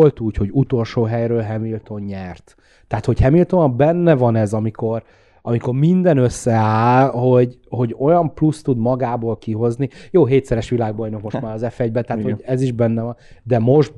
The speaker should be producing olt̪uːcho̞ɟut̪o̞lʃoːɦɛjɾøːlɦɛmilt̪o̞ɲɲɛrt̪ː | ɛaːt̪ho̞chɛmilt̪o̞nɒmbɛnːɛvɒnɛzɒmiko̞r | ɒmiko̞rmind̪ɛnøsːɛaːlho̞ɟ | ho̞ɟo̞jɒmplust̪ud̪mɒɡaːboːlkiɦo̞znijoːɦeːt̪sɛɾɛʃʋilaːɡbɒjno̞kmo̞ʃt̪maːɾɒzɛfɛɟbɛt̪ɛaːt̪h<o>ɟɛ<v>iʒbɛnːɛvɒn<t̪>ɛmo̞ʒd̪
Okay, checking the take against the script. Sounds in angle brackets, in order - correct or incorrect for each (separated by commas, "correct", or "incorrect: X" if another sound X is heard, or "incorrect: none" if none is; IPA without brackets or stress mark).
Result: correct, incorrect: z, incorrect: d̪